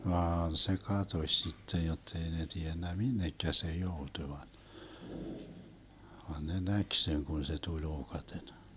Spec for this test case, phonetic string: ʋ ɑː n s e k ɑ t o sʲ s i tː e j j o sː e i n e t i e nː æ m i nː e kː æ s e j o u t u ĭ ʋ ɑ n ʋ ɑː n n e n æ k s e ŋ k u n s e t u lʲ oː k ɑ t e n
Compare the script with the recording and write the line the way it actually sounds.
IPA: ʋ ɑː n s e k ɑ t o sʲ s i tː e j j o tː e i n e t i e nː æ m i nː e kː æ s e j o u t u ĭ ʋ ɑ n ʋ ɑ n n e n æ k s e ŋ k u n s e t u lʲ oː k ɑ t e n